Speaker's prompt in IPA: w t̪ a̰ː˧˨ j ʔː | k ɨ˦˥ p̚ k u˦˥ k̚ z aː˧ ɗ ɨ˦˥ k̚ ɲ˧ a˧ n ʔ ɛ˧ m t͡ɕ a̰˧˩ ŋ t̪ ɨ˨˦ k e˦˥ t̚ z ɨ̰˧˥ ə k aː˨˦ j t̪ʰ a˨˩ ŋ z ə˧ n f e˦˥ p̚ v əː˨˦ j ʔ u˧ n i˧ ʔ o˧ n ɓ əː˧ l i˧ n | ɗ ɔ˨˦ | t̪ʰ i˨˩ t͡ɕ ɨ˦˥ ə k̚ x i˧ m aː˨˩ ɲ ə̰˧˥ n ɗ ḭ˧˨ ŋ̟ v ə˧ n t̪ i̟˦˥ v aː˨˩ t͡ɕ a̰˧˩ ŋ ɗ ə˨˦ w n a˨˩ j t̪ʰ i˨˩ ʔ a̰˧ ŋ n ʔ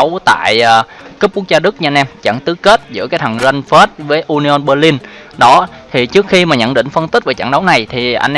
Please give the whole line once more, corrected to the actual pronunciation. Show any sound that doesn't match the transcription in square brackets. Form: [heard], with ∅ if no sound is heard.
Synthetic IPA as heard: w t̪ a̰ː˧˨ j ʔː | k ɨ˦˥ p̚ k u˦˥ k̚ z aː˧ ɗ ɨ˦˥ k̚ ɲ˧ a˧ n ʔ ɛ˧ m t͡ɕ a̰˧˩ ŋ t̪ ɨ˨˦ k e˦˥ t̚ z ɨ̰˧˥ ə k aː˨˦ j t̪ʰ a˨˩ ŋ z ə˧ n f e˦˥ [t̚] v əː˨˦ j ʔ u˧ n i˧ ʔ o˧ n ɓ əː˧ l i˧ n | ɗ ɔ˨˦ | t̪ʰ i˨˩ t͡ɕ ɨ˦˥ ə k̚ x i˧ m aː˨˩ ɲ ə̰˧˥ n ɗ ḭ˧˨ ŋ̟ [f] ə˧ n t̪ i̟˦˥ v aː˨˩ t͡ɕ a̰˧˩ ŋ ɗ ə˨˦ w n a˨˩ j t̪ʰ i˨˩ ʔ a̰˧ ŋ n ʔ